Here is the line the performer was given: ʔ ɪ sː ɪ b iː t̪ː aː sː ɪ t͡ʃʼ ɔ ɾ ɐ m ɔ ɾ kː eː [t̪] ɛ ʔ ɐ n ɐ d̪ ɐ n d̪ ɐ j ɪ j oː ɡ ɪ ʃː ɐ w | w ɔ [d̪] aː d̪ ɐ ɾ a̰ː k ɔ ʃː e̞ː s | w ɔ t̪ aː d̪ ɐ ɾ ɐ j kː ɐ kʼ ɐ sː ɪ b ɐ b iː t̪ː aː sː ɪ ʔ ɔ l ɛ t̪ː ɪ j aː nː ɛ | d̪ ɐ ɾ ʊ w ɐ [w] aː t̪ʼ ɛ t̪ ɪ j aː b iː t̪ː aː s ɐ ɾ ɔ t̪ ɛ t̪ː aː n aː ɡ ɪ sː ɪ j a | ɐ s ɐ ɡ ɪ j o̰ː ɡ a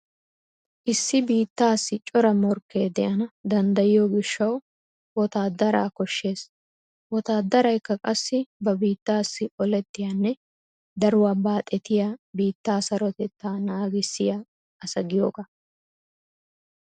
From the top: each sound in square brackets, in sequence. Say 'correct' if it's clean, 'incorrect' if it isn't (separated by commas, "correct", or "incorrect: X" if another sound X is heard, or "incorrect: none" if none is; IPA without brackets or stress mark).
incorrect: d̪, incorrect: t̪, incorrect: b